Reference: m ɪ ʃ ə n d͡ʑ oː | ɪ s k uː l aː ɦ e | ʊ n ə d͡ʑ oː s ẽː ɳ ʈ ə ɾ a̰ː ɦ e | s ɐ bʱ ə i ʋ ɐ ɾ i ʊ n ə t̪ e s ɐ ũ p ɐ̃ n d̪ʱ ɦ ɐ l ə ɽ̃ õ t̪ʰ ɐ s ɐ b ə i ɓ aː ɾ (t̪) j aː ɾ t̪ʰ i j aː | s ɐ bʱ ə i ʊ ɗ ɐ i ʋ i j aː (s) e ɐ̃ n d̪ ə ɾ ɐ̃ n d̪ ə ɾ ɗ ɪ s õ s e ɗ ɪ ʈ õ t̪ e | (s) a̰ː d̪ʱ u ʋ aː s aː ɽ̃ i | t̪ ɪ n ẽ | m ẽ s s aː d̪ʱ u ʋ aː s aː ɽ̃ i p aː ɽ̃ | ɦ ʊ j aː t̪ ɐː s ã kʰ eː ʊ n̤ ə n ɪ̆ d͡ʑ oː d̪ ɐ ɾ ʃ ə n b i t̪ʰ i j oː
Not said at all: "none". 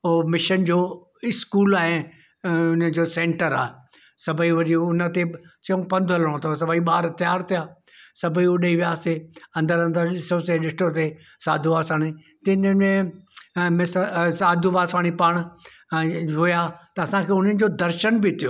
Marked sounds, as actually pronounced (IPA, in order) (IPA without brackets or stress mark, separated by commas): t̪, s, s